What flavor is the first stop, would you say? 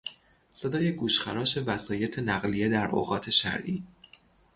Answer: plain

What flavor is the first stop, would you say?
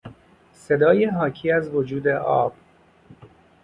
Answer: plain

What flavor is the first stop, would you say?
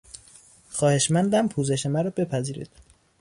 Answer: plain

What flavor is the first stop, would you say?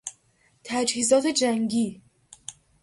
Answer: aspirated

